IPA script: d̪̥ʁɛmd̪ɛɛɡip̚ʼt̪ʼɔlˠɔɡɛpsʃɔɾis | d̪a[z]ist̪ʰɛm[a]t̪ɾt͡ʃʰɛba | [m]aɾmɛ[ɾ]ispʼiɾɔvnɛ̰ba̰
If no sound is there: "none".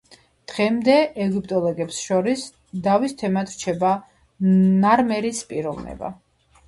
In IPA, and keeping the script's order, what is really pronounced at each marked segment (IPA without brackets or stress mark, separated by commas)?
v, a, n, ɾ